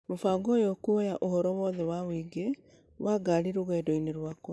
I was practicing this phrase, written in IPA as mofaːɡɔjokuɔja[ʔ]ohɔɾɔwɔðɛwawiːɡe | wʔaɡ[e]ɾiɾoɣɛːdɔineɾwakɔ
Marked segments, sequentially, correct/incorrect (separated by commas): correct, incorrect